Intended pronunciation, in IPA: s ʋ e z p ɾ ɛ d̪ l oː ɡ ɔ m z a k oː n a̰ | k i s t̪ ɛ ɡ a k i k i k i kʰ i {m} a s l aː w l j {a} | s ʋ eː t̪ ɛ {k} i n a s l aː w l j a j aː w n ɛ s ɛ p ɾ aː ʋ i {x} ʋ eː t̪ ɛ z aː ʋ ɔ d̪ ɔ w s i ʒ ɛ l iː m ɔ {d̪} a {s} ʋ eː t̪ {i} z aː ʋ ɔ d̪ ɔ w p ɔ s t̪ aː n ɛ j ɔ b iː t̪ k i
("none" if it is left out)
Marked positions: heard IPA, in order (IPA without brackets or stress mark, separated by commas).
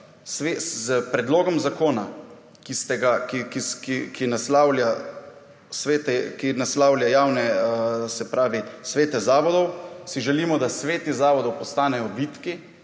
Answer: n, a, k, s, d̪, s, i